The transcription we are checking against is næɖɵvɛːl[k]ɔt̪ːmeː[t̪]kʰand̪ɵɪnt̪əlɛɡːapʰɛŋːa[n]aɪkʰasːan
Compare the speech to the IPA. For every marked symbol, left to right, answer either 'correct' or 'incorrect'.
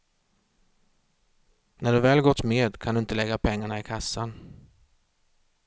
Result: incorrect, incorrect, incorrect

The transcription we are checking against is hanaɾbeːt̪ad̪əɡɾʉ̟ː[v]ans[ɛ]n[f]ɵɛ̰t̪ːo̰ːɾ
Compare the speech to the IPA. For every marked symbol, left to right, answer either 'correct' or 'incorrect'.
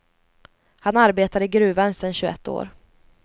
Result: correct, correct, incorrect

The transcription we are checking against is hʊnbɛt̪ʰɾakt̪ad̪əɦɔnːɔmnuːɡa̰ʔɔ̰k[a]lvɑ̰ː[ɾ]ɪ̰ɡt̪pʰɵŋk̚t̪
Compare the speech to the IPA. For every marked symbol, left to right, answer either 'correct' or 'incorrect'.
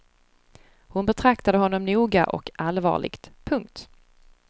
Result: correct, incorrect

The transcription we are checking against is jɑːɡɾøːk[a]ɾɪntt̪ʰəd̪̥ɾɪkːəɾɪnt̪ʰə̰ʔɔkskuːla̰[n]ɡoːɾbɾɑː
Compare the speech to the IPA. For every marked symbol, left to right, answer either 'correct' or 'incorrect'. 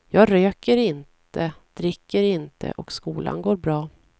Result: incorrect, correct

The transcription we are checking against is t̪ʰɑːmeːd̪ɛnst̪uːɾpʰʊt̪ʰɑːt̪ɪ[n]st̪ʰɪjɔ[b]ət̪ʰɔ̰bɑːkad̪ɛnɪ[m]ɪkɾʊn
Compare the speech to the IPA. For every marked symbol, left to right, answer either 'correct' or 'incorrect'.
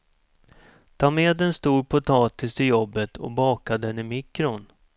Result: incorrect, incorrect, correct

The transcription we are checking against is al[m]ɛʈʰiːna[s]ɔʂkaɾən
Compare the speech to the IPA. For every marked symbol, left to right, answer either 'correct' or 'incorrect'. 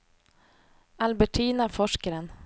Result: incorrect, incorrect

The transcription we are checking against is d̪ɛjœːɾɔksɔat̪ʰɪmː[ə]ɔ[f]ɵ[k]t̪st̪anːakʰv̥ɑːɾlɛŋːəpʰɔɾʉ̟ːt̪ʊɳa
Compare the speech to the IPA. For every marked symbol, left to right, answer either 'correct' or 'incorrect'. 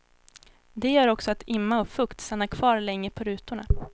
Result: incorrect, correct, correct

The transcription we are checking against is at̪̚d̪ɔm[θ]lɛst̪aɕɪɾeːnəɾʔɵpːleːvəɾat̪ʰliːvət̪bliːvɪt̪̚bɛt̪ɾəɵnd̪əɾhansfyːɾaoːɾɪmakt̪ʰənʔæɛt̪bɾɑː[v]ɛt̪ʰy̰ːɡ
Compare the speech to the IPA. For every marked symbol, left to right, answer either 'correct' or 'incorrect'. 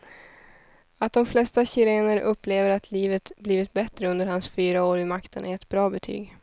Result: incorrect, incorrect

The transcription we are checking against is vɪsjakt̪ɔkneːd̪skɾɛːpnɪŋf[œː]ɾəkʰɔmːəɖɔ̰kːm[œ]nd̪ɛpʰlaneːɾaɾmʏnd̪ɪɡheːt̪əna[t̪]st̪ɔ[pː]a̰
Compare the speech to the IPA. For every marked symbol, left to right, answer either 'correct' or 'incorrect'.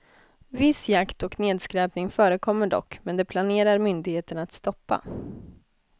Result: correct, incorrect, correct, correct

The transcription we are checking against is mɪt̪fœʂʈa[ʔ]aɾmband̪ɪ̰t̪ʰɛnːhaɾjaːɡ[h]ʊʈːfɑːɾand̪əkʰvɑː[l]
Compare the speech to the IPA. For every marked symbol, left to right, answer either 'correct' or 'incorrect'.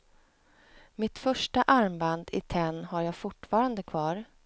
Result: correct, incorrect, incorrect

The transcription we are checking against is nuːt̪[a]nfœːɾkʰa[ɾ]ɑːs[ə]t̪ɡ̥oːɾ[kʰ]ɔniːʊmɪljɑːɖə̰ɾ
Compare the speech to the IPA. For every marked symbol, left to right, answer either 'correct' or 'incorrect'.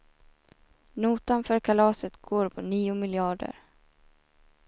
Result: correct, incorrect, correct, incorrect

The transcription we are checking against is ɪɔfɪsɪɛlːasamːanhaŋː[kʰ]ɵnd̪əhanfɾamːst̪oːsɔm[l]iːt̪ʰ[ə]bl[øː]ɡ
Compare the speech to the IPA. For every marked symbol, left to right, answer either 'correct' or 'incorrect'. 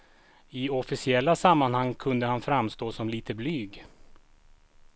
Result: correct, correct, correct, incorrect

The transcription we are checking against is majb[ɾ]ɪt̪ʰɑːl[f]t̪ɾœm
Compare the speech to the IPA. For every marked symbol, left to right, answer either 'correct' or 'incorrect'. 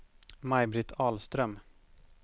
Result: correct, incorrect

